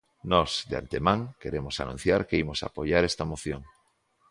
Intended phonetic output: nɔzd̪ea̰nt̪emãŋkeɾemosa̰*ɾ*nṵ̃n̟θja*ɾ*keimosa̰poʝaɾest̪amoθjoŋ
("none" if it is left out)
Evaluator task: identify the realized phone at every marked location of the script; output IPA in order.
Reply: none, ɾ

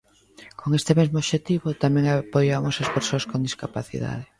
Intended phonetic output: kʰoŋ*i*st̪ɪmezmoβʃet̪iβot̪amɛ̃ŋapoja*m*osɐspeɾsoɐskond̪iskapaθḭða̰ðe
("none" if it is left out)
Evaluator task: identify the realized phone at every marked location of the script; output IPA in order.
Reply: e, m

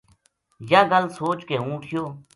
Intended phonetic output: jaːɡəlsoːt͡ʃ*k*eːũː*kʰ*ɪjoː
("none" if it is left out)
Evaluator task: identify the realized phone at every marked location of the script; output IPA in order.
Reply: k, ʈʰ

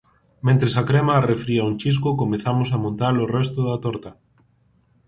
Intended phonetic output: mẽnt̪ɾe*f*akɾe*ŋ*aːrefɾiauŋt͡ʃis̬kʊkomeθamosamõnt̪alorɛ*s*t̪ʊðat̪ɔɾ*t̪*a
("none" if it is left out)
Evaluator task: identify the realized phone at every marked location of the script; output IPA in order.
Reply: s, m, s, t̪

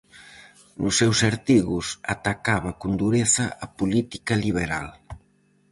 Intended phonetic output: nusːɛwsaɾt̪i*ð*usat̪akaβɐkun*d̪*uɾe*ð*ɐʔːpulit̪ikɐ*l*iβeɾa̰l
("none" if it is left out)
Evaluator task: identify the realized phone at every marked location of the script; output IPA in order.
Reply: ɣ, d̪, θ, l

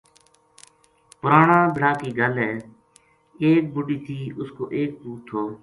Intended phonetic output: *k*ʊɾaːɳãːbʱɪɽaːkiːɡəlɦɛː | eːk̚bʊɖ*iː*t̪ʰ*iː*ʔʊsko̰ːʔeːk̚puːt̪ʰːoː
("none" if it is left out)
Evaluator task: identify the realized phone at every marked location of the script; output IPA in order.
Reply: p, iː, iː

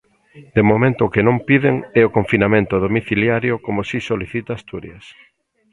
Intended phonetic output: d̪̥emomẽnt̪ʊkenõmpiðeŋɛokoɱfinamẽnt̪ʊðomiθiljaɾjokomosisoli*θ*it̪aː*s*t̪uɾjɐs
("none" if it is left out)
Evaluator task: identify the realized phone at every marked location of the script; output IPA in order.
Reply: θ, s

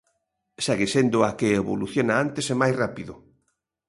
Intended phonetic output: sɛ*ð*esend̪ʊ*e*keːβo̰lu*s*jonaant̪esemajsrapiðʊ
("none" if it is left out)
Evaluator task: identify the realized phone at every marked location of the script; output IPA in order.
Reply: ɣ, a, θ

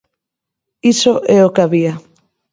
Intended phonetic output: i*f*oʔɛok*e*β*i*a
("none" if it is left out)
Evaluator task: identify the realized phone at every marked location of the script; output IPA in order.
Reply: s, a, i

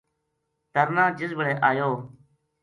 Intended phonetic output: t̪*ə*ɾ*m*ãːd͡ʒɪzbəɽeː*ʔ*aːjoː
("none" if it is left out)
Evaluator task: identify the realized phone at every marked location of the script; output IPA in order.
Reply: ə, n, ʔ

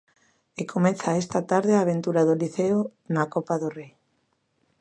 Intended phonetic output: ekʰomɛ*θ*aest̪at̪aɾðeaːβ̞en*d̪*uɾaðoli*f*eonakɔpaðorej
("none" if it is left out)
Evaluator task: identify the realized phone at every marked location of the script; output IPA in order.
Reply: θ, t̪, θ

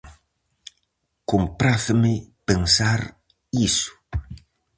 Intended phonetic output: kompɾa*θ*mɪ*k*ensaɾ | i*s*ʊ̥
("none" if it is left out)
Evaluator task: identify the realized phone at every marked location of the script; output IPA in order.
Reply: θ, p, s

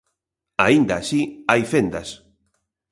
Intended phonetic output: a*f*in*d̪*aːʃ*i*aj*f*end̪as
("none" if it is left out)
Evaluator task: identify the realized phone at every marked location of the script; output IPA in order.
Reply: none, d̪, i, f

